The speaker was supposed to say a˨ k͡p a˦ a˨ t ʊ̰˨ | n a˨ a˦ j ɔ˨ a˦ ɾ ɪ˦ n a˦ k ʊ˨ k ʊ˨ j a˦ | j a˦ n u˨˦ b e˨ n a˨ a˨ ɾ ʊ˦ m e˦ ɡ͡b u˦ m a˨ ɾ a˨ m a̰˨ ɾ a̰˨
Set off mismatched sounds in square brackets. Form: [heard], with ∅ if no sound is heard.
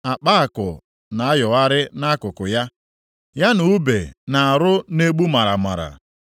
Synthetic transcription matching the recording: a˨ k͡p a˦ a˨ [k] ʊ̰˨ | n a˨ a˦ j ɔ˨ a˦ ɾ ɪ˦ n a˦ k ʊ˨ k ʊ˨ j a˦ | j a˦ n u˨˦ b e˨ n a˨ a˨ ɾ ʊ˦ [n] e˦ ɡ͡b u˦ m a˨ ɾ a˨ m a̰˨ ɾ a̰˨